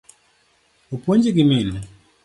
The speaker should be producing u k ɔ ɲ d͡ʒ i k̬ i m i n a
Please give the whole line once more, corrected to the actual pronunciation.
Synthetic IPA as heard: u p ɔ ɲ d͡ʒ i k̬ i m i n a

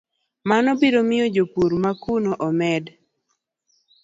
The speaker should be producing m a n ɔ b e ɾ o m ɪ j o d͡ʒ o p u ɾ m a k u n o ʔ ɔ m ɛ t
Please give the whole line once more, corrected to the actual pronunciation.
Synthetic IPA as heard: m a n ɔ b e ɾ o m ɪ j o d͡ʒ o p u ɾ m a k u n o ʔ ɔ m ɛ d

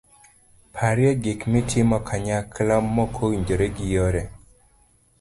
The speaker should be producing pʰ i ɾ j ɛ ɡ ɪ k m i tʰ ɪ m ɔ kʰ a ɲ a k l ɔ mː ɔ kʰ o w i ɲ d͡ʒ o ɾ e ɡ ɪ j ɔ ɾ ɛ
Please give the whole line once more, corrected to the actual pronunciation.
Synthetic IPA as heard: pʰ a ɾ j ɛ ɡ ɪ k m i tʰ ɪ m ɔ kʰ a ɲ a k l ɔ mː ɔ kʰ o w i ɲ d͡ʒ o ɾ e ɡ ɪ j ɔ ɾ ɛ

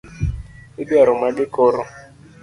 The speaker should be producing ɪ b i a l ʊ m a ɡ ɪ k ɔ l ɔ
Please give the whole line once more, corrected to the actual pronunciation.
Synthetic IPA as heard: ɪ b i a ɾ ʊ m a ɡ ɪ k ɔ ɾ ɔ

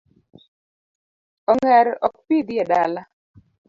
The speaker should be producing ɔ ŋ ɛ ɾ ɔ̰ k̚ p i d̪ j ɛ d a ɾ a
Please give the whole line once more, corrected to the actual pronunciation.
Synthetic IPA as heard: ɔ ŋ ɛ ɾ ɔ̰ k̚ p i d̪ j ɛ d a l a

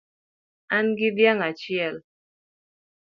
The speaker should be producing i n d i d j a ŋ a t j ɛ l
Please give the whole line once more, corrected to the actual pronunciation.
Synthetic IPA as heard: a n ɡ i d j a ŋ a t͡ʃ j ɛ l

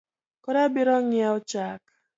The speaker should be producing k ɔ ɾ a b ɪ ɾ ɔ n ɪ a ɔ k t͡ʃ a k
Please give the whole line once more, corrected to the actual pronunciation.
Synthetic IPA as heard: k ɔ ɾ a b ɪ ɾ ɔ ŋ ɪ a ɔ t͡ʃ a k

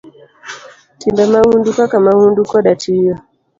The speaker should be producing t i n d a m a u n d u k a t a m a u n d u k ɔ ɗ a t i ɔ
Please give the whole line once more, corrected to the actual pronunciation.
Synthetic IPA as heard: t i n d a m a u n d u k a k a m a u n d u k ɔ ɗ a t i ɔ

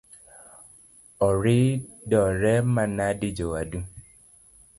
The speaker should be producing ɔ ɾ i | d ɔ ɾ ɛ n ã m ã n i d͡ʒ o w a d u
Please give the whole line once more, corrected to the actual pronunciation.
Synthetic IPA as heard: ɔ ɾ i | d ɔ ɾ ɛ m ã n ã d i d͡ʒ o w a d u

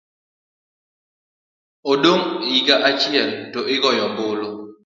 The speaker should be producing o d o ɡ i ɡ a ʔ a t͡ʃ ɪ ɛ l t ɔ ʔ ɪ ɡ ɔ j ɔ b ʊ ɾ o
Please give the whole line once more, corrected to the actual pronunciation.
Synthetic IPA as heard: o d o ŋ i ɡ a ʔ a t͡ʃ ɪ ɛ l t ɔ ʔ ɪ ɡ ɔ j ɔ b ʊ l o

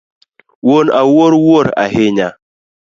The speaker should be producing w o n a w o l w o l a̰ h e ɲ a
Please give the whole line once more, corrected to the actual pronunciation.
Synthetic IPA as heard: w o n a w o ɾ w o ɾ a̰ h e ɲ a

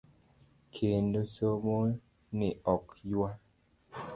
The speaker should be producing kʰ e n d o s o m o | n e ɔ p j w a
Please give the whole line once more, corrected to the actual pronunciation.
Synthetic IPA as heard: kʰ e n d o s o m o | n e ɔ k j w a

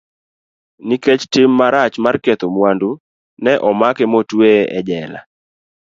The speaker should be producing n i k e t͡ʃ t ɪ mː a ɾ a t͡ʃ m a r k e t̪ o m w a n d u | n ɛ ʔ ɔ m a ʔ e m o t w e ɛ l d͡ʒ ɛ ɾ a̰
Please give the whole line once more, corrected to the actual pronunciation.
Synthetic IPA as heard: n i k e t͡ʃ t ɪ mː a ɾ a t͡ʃ m a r k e t̪ o m w a n d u | n ɛ ʔ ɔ m a k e m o t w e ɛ d͡ʒ ɛ l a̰

